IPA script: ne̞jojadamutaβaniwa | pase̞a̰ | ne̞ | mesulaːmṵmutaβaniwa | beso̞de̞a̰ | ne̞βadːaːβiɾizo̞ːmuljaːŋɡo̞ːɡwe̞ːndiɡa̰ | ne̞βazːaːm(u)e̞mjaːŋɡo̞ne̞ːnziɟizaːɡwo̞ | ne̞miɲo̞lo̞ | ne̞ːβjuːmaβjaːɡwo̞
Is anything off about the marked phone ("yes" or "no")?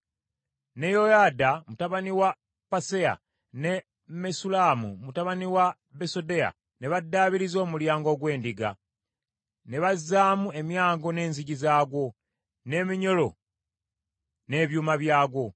no